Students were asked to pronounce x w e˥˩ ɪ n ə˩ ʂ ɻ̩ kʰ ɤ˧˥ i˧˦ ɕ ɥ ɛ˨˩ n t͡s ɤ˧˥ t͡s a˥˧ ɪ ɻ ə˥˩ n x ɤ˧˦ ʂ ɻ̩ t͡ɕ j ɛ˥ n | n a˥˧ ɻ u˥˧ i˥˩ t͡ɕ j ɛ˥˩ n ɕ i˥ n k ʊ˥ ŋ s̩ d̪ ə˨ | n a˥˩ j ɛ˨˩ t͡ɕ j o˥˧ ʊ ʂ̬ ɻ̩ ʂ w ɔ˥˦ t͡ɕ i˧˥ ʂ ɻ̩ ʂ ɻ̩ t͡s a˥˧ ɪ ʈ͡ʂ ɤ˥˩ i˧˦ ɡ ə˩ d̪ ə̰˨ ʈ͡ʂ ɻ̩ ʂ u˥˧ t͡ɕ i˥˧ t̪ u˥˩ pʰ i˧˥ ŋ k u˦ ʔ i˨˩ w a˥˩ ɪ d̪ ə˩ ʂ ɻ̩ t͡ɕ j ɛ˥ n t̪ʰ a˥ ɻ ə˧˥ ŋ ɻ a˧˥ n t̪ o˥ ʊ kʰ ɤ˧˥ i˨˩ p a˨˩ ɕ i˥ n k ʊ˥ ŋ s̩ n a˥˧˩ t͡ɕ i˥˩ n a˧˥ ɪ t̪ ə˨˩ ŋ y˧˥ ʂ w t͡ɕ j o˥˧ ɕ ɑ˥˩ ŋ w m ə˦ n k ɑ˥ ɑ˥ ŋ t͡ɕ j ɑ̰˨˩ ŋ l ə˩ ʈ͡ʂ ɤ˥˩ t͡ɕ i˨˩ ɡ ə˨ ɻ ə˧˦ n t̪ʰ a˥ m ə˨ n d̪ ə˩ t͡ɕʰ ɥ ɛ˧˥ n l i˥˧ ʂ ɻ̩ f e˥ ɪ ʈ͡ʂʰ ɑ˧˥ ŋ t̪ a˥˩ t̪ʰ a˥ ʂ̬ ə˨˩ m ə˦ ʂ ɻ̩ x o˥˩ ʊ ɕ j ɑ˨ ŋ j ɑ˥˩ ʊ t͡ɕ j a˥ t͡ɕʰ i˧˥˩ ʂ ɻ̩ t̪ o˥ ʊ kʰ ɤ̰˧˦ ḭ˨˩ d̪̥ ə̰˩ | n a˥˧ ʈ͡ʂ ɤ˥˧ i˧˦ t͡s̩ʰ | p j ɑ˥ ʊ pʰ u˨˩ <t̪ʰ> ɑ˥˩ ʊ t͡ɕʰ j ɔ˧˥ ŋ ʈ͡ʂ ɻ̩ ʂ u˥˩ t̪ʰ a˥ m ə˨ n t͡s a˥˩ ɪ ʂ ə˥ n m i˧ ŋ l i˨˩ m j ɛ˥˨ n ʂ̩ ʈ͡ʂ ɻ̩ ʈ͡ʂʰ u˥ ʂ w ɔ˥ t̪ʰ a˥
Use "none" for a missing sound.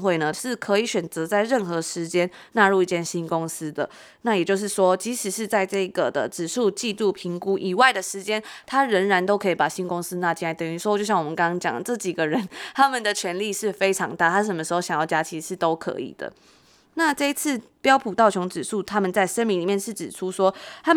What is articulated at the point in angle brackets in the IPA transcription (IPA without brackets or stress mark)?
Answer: t̪